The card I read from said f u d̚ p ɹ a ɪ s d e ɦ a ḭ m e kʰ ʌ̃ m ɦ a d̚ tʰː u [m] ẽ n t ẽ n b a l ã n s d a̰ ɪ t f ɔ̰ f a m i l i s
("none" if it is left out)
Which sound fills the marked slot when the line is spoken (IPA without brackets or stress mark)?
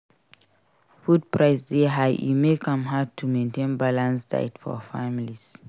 m